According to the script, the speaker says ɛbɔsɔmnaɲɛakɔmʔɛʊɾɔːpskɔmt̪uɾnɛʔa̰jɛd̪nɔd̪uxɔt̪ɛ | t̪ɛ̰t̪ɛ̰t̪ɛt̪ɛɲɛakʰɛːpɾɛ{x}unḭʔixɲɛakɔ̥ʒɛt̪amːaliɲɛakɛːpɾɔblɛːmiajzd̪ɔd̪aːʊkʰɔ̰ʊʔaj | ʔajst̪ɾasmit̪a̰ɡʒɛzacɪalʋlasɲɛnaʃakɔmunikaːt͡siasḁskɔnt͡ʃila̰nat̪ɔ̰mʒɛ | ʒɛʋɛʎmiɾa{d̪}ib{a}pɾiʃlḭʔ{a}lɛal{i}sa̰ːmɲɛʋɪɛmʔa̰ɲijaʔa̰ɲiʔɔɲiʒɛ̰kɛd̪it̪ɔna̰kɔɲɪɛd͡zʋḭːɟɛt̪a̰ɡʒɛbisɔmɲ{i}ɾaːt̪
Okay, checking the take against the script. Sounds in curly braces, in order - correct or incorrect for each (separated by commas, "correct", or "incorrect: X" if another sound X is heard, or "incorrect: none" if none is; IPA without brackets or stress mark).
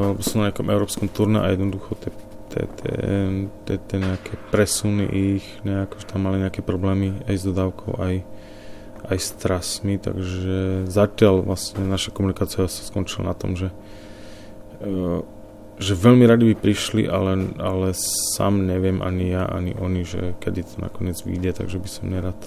incorrect: s, correct, incorrect: i, correct, incorrect: ɛ, incorrect: ɛ